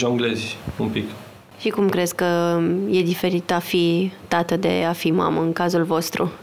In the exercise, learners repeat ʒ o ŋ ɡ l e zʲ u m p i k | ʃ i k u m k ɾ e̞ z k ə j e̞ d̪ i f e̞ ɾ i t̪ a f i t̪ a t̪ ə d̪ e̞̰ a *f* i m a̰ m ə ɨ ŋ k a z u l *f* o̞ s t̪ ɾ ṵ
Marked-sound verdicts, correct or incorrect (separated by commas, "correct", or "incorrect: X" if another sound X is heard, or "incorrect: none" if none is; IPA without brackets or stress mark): correct, incorrect: v